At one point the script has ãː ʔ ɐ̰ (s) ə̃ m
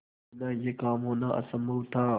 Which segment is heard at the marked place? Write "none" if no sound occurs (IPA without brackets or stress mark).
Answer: s